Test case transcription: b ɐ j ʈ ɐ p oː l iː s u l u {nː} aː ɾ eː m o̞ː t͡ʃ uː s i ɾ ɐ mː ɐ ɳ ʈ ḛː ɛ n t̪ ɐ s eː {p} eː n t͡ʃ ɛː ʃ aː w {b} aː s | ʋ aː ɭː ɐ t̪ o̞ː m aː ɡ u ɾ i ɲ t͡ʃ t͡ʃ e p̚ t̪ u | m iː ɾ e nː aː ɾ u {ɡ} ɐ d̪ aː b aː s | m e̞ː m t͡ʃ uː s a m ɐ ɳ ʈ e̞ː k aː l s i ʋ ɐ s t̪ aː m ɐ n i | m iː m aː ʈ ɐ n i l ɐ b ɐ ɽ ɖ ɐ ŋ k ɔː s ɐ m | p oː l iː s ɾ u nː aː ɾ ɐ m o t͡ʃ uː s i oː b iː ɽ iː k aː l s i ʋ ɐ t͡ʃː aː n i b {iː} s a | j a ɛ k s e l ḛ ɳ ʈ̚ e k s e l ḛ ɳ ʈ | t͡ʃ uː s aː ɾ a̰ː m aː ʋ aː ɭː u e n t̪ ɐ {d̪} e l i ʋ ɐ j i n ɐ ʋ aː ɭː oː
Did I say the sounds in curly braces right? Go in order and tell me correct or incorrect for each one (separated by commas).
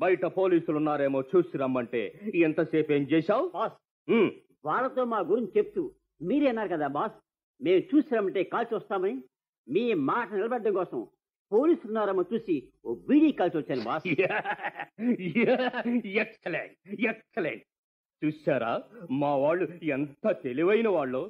correct, correct, correct, incorrect, incorrect, incorrect